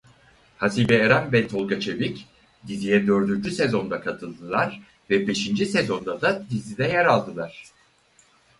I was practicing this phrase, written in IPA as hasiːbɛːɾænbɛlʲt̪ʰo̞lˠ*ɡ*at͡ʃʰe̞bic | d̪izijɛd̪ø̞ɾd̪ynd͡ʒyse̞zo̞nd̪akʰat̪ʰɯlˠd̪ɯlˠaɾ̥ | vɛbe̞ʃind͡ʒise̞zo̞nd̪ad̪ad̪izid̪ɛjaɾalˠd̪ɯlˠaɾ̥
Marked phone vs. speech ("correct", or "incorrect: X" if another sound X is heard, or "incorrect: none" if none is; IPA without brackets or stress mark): correct